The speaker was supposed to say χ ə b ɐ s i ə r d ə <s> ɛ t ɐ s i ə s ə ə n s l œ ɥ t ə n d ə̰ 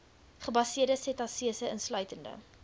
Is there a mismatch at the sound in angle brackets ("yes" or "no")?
no